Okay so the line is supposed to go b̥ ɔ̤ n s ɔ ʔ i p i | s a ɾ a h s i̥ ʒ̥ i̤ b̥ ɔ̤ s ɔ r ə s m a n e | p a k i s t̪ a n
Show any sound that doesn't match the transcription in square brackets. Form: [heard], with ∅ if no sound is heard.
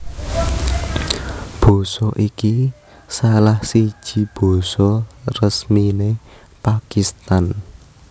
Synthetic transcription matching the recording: b̥ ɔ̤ [∅] s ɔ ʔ i [k] i | s a [l] a h s i̥ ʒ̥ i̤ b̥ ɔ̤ s ɔ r ə s m [i] n e | p a k i s t̪ a n